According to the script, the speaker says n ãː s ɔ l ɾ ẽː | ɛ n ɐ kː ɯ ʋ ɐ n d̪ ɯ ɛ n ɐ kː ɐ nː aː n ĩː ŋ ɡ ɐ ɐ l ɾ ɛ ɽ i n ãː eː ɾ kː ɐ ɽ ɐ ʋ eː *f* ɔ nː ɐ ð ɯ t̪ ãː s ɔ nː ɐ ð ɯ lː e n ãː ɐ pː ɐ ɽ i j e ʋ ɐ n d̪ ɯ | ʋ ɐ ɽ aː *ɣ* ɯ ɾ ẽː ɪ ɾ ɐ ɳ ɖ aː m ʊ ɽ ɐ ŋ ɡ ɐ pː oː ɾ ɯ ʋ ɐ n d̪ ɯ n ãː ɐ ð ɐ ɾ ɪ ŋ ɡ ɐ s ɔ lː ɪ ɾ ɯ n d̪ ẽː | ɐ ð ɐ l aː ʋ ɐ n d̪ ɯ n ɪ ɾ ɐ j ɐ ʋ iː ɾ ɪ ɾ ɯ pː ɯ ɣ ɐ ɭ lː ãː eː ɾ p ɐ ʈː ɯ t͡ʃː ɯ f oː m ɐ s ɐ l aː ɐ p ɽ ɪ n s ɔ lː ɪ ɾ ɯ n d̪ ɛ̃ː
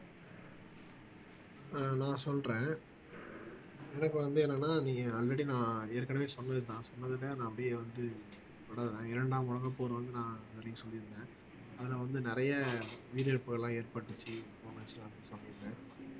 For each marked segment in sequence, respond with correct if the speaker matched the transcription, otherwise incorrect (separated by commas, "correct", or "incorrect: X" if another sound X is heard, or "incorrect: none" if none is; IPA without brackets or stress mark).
incorrect: s, incorrect: ð